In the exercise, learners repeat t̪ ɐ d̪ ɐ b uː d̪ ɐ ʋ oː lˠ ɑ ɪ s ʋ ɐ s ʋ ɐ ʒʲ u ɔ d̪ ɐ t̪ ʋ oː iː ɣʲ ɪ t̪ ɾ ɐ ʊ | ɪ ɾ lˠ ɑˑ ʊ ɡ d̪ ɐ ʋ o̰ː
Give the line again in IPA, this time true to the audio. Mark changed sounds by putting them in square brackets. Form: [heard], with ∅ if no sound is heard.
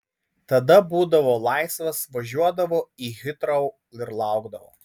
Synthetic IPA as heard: t̪ ɐ d̪ ɐ b uː d̪ ɐ ʋ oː lˠ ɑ ɪ s ʋ ɐ s ʋ ɐ ʒʲ u ɔ d̪ ɐ [∅] ʋ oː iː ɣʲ ɪ t̪ ɾ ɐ ʊ | ɪ ɾ lˠ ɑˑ ʊ ɡ d̪ ɐ ʋ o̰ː